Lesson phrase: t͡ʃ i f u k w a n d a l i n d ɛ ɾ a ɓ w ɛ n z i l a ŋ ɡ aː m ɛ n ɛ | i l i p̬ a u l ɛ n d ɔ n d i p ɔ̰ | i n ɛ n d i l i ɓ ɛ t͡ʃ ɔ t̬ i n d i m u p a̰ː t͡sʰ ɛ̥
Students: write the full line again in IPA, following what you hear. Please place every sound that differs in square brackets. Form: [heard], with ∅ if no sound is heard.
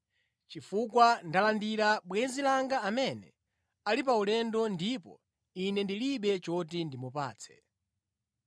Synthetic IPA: t͡ʃ i f u k w a n d a l [a] n d [i] ɾ a ɓ w ɛ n z i l a ŋ ɡ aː m ɛ n ɛ | [a] l i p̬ a u l ɛ n d ɔ n d i p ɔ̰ | i n ɛ n d i l i ɓ ɛ t͡ʃ ɔ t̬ i n d i m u p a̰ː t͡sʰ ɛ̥

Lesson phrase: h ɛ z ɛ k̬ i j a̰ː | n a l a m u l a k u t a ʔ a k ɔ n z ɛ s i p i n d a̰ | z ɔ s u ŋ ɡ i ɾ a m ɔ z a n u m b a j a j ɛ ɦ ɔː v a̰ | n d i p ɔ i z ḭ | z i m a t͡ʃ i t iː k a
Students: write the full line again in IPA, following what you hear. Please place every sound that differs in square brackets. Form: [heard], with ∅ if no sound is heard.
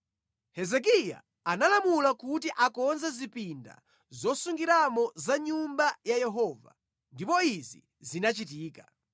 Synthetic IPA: h ɛ z ɛ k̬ i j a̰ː | n a l a m u l a k u t [i] ʔ a k ɔ n z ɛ [z] i p i n d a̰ | z ɔ s u ŋ ɡ i ɾ a m ɔ z a [ɲ] u m b a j a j ɛ ɦ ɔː v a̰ | n d i p ɔ i z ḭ | z i [n] a t͡ʃ i t iː k a

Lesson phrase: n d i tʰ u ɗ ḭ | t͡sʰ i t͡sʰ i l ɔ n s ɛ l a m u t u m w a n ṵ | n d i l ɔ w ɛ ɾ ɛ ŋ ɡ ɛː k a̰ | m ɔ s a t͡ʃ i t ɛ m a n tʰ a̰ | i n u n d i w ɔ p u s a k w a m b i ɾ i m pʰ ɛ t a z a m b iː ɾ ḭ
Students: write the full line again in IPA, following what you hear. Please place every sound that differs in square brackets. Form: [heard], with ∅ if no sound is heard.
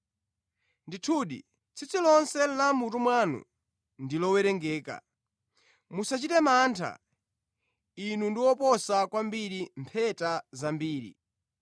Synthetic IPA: n d i tʰ u ɗ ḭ | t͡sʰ i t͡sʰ i l ɔ n s ɛ l a m u t u m w a n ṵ | n d i l ɔ w ɛ ɾ ɛ ŋ ɡ ɛː k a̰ | m [u] s a t͡ʃ i t ɛ m a n tʰ a̰ | i n u n d i w ɔ p [ɔ] s a k w a m b i ɾ i m pʰ ɛ t a z a m b iː ɾ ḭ

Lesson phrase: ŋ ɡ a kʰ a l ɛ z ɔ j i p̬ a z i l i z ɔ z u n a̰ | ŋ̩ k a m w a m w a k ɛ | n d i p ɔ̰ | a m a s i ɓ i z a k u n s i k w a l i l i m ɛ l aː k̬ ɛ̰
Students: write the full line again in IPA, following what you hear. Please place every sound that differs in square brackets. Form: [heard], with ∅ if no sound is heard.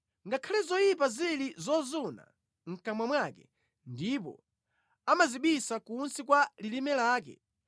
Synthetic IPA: ŋ ɡ a kʰ a l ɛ z ɔ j i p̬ a z i l i z ɔ z u n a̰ | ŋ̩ k a m w a m w a k ɛ | n d i p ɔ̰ | a m a [z] i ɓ i [s] a k u n s i k w a l i l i m ɛ l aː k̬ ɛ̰

